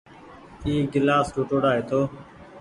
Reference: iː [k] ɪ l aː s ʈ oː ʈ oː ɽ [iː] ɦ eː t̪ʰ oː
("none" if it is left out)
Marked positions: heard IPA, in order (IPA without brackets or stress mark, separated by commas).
ɡ, aː